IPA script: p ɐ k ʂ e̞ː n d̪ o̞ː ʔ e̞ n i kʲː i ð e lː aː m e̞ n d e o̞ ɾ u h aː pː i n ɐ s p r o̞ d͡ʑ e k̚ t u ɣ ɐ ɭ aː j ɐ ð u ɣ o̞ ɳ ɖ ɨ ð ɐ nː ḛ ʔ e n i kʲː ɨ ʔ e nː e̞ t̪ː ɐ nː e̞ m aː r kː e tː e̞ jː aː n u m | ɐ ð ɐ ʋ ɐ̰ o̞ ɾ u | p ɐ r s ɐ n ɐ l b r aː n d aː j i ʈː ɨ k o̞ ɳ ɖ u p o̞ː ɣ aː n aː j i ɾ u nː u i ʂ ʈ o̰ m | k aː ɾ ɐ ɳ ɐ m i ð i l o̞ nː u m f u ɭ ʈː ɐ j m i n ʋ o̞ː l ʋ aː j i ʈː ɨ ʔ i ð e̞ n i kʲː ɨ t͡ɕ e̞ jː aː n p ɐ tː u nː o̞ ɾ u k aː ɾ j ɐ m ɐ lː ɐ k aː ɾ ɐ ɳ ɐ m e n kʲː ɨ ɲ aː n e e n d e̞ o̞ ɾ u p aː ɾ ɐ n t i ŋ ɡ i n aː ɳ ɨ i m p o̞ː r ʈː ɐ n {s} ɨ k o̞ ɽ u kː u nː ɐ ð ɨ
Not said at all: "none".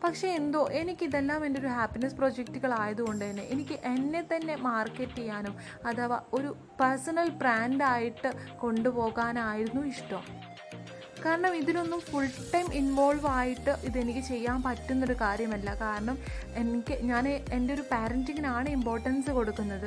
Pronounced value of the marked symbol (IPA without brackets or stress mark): s